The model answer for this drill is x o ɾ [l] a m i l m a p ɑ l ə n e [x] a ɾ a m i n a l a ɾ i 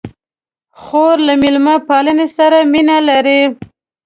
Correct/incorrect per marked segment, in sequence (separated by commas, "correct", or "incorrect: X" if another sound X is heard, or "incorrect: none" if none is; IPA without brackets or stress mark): correct, incorrect: s